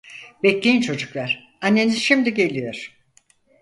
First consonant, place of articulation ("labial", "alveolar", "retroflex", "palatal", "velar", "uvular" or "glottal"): labial